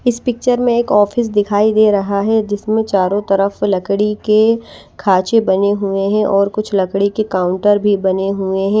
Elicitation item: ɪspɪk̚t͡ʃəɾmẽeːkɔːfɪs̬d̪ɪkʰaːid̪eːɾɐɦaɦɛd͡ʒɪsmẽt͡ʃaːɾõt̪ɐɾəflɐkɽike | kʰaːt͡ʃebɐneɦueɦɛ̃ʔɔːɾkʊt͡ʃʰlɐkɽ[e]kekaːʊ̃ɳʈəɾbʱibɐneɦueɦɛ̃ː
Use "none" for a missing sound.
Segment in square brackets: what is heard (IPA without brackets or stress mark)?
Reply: i